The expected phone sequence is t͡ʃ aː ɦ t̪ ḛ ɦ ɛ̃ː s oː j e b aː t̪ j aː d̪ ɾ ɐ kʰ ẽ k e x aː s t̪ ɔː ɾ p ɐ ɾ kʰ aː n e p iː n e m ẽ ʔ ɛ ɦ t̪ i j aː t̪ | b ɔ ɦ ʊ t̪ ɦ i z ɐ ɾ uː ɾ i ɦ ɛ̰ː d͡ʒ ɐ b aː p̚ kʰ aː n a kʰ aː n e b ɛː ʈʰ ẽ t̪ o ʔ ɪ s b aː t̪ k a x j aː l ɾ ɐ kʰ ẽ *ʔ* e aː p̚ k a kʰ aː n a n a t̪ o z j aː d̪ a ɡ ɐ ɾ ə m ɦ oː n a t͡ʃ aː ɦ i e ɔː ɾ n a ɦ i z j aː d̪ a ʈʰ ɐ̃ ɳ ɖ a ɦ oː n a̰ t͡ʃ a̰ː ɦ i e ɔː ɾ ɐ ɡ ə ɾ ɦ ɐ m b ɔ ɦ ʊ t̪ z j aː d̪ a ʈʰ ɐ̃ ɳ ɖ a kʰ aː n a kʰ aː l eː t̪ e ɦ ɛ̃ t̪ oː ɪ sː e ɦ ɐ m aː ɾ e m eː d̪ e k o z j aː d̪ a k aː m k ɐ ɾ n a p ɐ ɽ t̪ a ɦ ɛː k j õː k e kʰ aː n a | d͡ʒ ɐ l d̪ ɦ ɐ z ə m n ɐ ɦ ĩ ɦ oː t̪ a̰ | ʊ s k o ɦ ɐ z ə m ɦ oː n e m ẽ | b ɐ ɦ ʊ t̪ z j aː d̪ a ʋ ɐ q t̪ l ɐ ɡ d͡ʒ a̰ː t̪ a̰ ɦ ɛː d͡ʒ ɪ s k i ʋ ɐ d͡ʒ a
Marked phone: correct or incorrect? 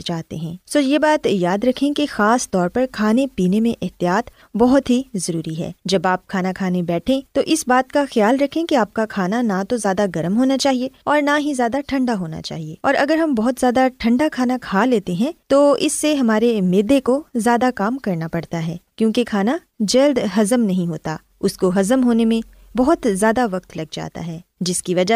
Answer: incorrect